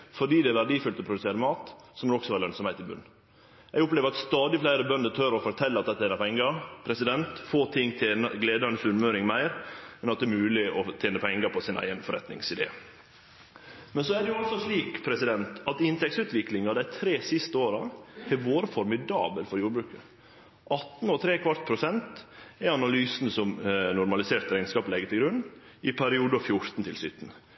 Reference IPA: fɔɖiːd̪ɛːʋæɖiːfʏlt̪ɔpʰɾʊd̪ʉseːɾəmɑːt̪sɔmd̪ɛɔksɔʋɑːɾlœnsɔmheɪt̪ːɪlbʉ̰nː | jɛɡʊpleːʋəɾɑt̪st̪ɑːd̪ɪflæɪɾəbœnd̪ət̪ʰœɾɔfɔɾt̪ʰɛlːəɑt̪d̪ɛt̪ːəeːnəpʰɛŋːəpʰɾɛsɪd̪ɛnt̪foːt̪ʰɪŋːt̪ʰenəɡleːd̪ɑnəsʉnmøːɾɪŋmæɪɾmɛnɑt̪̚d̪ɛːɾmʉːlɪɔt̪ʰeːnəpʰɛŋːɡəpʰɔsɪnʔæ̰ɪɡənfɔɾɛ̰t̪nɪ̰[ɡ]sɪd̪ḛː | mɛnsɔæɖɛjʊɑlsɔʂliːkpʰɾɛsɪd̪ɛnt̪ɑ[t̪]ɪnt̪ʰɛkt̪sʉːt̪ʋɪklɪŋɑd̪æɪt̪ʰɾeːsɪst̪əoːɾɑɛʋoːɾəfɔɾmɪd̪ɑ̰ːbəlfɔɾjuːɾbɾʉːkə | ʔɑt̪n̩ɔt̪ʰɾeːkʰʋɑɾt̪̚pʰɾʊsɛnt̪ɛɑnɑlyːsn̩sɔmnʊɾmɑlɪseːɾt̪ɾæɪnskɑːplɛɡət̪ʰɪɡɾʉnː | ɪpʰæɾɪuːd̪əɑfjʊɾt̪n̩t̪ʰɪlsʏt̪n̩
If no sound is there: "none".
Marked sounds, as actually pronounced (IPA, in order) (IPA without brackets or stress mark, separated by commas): ŋ, t̪